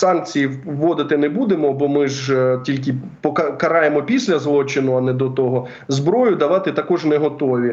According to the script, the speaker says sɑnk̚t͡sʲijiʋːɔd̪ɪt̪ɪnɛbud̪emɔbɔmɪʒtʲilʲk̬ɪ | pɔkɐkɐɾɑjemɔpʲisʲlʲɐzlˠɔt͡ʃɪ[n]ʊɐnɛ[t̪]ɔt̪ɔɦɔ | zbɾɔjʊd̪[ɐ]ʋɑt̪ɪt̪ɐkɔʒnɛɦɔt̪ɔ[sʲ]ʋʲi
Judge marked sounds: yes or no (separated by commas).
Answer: yes, no, yes, no